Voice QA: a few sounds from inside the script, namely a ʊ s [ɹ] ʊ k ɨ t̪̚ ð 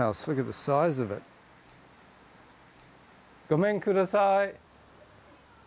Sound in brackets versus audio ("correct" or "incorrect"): incorrect